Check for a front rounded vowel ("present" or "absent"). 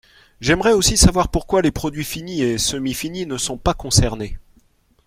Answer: absent